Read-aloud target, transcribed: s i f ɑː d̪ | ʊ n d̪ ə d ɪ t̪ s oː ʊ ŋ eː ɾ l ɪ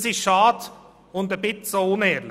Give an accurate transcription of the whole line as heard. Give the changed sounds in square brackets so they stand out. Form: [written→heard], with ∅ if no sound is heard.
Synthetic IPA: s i [f→ʃ] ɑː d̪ | ʊ n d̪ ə [d→b] ɪ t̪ s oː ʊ [ŋ→n] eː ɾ l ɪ